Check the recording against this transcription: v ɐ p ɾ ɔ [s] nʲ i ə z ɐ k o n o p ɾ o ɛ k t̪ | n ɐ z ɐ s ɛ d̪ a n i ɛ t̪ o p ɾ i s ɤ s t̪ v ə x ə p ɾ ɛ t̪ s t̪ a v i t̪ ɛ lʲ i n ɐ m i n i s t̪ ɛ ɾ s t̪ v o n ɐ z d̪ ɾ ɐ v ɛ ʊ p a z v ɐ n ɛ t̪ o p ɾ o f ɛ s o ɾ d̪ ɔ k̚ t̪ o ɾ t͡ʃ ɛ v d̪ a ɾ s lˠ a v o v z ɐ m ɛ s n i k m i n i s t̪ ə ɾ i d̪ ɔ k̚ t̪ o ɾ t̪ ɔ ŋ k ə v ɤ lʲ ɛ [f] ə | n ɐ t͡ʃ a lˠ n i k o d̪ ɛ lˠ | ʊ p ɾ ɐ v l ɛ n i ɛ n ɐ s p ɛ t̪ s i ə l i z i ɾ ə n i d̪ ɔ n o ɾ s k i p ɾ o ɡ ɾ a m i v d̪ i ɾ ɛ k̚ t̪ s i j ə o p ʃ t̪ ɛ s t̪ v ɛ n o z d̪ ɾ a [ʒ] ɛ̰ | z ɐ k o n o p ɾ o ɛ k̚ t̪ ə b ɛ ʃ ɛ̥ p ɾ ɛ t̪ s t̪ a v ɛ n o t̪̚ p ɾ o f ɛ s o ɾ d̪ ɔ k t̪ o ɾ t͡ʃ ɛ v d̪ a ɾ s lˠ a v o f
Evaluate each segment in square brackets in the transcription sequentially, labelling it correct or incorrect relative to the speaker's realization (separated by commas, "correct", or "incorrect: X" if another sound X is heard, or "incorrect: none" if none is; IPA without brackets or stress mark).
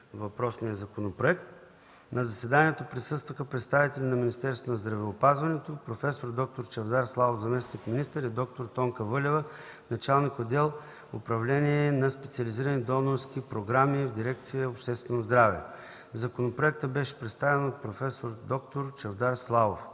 correct, incorrect: v, incorrect: v